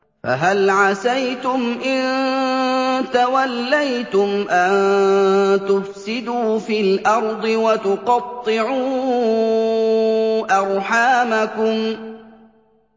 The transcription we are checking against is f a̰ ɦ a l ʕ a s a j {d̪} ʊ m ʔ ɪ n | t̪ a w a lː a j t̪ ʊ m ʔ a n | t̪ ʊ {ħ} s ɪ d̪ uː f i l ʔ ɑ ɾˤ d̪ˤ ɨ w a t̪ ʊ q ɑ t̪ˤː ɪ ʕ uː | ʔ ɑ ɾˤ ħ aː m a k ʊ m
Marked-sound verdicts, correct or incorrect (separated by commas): incorrect, incorrect